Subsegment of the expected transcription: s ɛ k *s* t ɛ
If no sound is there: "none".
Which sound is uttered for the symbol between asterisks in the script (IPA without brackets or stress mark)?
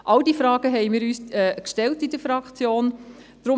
ʃ